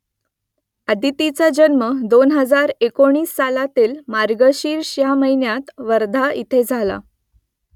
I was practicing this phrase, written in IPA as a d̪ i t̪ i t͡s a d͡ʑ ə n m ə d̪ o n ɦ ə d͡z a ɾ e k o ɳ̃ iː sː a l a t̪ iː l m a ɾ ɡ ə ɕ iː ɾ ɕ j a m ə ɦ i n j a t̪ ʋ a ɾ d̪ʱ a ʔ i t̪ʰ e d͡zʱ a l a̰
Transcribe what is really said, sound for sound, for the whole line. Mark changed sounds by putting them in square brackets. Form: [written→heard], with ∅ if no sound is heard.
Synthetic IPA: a d̪ i t̪ i t͡s a d͡ʑ ə n m ə d̪ o n ɦ ə d͡z a ɾ e k o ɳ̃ iː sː a l a t̪ iː l m a ɾ ɡ ə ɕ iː ɾ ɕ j a m ə ɦ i n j a t̪ ʋ [a→ə] ɾ d̪ʱ a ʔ i t̪ʰ e d͡zʱ a l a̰